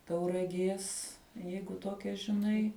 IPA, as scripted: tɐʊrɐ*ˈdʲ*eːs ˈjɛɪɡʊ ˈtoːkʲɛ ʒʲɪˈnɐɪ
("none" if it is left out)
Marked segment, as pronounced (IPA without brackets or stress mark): ɡʲ